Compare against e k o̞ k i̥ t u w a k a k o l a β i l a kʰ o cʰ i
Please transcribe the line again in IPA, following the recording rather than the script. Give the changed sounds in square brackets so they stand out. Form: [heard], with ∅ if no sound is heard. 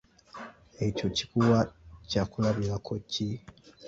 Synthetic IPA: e [c] o̞ [c] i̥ [k] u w a [c] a k [u] l a β i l a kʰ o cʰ i